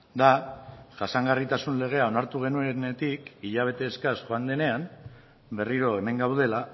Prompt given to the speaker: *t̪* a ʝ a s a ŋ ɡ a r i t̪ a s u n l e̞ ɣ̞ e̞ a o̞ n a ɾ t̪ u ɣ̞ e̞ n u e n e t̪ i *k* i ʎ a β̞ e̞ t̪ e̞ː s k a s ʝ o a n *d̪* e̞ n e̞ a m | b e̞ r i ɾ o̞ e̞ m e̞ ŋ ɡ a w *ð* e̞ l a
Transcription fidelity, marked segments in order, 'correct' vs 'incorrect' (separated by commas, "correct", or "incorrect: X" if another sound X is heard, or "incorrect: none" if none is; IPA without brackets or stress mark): incorrect: d̪, correct, correct, correct